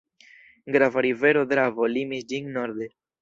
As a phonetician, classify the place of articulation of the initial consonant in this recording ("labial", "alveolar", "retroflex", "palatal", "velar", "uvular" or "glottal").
velar